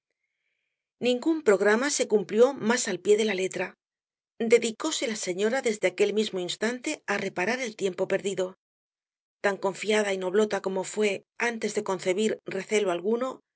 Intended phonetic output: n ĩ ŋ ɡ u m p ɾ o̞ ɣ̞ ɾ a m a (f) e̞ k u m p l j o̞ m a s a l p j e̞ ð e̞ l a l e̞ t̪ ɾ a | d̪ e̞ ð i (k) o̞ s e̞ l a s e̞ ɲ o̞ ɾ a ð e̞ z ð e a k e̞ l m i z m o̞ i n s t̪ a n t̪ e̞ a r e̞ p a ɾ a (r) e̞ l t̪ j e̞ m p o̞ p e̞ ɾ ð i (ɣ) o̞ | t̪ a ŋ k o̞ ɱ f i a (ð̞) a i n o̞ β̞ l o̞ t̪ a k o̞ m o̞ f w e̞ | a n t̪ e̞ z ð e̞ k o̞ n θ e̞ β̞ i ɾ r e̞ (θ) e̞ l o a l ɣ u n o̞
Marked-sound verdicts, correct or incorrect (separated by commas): incorrect, correct, incorrect, incorrect, correct, correct